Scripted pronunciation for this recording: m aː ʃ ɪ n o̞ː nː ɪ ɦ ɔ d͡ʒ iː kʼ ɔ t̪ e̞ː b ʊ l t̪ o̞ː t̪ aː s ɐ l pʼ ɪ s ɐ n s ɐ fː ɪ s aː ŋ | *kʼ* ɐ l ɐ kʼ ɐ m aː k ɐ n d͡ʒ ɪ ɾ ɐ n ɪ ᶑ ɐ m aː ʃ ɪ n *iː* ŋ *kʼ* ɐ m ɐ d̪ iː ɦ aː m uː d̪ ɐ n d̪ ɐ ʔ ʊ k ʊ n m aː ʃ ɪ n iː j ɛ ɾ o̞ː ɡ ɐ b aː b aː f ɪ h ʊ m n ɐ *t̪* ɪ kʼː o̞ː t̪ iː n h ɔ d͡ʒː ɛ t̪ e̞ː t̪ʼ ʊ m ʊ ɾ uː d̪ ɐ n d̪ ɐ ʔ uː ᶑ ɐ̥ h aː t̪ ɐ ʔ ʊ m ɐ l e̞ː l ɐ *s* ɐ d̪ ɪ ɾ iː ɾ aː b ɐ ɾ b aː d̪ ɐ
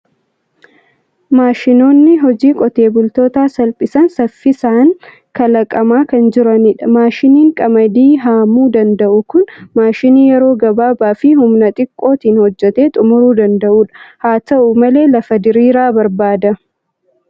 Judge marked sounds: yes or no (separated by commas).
no, yes, yes, no, no